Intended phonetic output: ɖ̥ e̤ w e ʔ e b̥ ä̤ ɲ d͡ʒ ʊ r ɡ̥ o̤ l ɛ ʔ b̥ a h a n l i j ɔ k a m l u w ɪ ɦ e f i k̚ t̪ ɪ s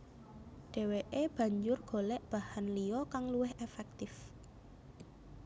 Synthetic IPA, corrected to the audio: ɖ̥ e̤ w e ʔ e b̥ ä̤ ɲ d͡ʒ ʊ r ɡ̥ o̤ l ɛ ʔ b̥ a h a n l i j ɔ k a ŋ l u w ɪ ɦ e f ɛ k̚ t̪ ɪ f